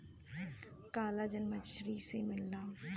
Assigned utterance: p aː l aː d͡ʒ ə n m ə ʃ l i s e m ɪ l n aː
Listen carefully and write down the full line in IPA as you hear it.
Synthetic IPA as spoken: k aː l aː d͡ʒ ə n m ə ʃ ɾ i s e m ɪ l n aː